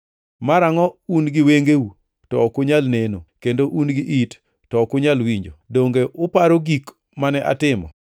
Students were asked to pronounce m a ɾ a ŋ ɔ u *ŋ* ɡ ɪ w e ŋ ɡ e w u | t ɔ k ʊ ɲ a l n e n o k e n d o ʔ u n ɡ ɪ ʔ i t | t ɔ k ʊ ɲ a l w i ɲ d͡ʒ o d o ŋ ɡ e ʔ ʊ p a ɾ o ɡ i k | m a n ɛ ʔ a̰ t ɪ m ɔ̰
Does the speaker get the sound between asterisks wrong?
yes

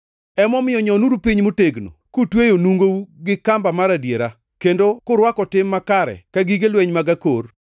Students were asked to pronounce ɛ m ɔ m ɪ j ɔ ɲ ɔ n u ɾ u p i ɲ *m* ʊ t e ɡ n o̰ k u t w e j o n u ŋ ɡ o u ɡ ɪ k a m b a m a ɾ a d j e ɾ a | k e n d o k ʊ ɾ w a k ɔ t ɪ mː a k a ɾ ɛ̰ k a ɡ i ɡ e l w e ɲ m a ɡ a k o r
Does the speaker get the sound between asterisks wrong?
no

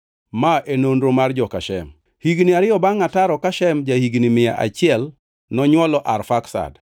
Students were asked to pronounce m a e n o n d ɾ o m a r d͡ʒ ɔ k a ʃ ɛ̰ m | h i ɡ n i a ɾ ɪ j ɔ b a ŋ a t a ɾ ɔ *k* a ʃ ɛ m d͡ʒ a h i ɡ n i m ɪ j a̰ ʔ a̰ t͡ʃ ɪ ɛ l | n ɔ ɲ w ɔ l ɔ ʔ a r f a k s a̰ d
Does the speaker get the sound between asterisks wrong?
no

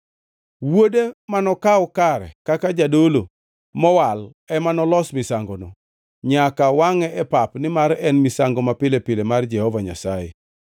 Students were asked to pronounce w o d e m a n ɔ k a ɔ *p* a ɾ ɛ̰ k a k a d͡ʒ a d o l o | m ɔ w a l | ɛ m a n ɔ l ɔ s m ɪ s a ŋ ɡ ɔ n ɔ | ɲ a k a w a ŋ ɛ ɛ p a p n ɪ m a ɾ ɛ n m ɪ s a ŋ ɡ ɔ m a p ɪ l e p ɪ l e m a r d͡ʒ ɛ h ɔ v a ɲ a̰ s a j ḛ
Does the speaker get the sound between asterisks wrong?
yes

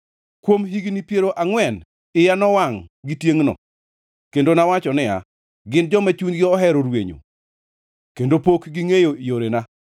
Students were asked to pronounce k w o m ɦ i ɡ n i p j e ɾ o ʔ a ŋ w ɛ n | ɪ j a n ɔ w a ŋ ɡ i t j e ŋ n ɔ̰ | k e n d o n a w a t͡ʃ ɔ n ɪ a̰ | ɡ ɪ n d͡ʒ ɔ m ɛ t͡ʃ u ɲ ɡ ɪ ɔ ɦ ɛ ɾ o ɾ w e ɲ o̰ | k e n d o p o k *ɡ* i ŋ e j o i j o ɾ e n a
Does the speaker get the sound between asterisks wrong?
no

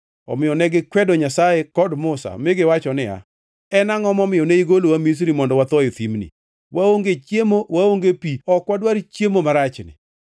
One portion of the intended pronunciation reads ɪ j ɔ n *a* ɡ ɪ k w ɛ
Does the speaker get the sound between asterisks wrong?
yes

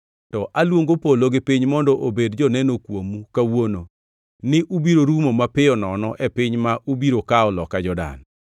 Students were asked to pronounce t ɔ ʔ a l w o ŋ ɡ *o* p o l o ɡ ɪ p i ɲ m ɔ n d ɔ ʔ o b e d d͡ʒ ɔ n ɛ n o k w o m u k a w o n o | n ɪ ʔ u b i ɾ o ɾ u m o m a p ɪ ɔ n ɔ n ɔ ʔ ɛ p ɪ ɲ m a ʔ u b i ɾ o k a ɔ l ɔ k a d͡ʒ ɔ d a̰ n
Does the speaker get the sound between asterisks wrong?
no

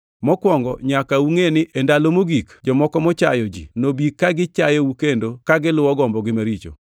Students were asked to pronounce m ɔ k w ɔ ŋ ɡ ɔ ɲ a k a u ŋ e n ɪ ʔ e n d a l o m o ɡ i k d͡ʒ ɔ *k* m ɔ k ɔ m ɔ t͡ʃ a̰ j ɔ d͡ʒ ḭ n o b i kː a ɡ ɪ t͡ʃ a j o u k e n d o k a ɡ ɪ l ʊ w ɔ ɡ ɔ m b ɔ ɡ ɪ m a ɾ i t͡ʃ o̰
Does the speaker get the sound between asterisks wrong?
yes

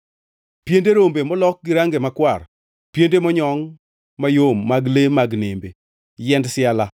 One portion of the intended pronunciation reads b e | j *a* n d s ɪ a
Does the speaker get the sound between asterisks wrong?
yes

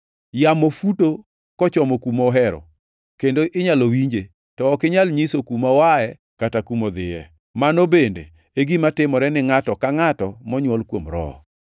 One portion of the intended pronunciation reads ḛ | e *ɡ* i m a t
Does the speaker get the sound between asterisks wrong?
no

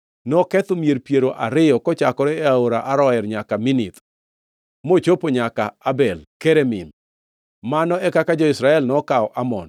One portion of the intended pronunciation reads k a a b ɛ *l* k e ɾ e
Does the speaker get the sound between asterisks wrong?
no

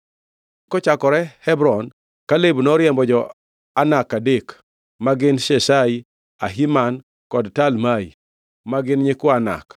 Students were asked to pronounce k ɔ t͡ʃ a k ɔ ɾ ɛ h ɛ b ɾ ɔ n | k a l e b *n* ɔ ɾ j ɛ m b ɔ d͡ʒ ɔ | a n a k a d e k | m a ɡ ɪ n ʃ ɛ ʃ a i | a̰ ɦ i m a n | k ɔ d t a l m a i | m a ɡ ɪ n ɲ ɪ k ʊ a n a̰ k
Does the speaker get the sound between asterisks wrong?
no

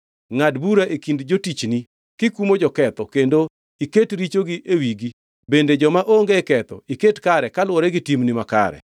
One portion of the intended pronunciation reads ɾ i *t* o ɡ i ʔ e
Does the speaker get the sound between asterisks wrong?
yes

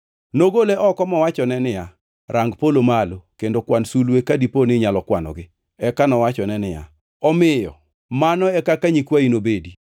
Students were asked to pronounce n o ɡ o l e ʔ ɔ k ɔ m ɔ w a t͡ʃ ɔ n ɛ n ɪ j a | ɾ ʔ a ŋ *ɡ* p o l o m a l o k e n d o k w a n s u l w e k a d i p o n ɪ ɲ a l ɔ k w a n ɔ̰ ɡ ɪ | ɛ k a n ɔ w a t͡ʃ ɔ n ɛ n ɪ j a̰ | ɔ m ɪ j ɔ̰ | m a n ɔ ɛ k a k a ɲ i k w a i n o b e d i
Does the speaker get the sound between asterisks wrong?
no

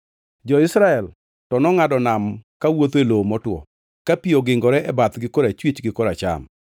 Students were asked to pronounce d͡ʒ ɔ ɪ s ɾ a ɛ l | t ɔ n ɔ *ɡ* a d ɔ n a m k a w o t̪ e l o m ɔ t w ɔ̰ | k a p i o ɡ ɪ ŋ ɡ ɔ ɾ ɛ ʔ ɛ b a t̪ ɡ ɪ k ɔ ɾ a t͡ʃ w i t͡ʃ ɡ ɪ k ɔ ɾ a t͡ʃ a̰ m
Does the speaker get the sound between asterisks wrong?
yes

